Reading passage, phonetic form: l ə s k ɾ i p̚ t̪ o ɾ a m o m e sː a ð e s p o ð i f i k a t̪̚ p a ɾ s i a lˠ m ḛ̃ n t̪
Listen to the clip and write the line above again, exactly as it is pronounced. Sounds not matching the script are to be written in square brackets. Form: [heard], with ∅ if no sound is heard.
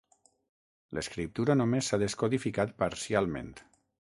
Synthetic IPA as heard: l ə s k ɾ i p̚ t̪ [u] ɾ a [n] o m e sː a ð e s [k] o ð i f i k a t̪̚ p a ɾ s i a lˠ m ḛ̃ n t̪